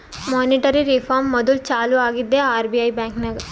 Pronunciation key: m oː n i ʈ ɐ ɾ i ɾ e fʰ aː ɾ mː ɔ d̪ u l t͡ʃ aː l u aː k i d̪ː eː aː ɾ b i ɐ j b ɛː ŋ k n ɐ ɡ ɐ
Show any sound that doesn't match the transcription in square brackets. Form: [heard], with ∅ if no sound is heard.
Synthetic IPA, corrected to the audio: m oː n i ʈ ɐ ɾ i ɾ [i] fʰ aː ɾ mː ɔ d̪ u l t͡ʃ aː l u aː [ɡ] i d̪ː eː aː ɾ b i ɐ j b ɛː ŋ k n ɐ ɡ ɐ